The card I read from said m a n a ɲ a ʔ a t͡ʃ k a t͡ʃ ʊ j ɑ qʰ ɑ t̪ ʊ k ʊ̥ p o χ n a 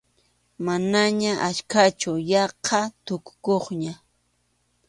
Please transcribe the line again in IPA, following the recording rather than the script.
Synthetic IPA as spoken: m a n a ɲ a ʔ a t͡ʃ k a t͡ʃ ʊ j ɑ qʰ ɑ t̪ ʊ k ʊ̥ k o χ ɲ a